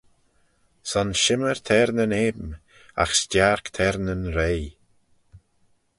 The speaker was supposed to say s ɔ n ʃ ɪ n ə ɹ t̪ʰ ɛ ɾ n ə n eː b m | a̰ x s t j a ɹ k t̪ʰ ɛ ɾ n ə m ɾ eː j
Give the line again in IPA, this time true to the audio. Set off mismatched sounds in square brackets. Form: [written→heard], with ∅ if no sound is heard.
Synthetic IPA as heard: s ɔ n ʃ ɪ [n→m] ə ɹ t̪ʰ ɛ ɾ n ə n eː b m | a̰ x s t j a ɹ k t̪ʰ ɛ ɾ n ə [m→n] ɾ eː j